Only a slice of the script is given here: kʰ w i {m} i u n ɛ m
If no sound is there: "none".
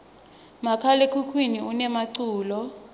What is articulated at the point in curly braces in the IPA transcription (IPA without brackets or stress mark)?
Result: n